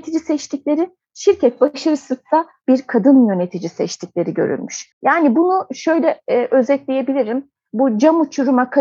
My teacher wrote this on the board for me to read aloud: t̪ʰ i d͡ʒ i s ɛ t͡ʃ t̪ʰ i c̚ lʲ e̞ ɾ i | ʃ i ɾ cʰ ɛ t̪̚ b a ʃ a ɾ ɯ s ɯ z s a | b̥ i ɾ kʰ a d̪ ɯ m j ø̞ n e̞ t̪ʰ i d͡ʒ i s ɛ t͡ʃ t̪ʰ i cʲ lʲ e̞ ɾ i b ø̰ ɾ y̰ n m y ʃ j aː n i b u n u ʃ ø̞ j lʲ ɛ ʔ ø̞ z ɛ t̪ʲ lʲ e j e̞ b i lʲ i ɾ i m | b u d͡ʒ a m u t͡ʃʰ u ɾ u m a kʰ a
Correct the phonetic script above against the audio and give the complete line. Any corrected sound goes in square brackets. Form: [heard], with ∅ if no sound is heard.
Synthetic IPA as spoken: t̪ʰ i d͡ʒ i s ɛ t͡ʃ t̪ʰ i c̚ lʲ e̞ ɾ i | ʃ i ɾ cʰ ɛ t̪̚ b a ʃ a ɾ ɯ s ɯ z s a | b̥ i ɾ kʰ a d̪ ɯ [n] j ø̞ n e̞ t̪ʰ i d͡ʒ i s ɛ t͡ʃ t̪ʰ i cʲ lʲ e̞ ɾ i [ɟ] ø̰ ɾ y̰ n m y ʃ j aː n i b u n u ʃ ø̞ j lʲ ɛ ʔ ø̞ z ɛ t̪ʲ lʲ e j e̞ b i lʲ i ɾ i m | b u d͡ʒ a m u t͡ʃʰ u ɾ u m a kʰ a